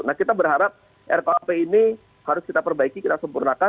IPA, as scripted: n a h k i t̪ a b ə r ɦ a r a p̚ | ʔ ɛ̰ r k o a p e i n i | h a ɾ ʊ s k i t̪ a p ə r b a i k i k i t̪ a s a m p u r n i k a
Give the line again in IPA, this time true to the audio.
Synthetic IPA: n a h k i t̪ a b ə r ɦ a ɾ a p̚ | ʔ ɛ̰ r k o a p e i n i | h a ɾ ʊ s k i t̪ a p ə r b a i k i k i t̪ a s ə m p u r n a k a